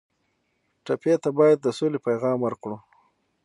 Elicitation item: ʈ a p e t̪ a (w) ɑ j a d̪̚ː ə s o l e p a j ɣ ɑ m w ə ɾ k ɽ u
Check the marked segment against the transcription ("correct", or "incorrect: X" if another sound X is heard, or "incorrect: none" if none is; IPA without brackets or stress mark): incorrect: b